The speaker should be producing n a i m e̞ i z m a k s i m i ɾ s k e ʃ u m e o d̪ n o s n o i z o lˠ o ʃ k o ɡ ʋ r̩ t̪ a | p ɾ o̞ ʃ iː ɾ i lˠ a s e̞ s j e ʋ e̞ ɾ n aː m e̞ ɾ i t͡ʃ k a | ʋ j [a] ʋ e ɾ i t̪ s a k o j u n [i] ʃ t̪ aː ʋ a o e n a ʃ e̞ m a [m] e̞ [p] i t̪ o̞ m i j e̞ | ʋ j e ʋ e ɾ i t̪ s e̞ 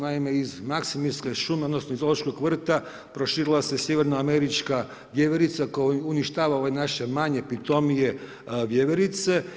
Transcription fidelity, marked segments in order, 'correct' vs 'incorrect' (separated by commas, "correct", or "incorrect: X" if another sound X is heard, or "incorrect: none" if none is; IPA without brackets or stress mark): incorrect: e, correct, incorrect: ɲ, correct